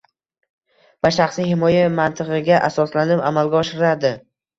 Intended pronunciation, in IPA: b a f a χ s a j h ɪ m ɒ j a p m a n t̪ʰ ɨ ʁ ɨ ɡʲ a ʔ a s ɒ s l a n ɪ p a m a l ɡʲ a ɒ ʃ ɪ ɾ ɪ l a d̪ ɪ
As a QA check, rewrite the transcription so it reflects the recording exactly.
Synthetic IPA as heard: v a ʃ a χ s i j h ɪ m ɒ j a m a n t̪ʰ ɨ ʁ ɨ ɡʲ a ʔ a s ɒ s l a n ɪ p a m a l ɡʲ a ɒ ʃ ɪ ɾ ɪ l a d̪ ɪ